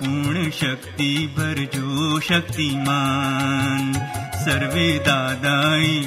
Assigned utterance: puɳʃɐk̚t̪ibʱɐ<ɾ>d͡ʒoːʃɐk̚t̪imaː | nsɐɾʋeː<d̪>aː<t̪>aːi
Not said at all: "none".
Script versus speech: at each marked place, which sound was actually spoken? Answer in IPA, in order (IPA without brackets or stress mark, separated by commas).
ɾ, d̪, d̪